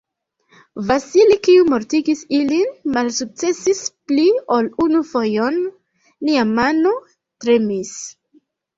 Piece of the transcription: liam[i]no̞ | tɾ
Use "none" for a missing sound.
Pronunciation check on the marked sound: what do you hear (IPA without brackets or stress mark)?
a